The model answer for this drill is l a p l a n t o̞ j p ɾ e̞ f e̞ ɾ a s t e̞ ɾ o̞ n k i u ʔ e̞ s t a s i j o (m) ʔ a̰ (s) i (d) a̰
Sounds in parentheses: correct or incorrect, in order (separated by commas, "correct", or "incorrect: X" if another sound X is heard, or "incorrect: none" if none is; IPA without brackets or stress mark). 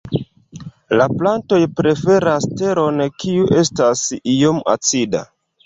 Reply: correct, incorrect: t͡s, correct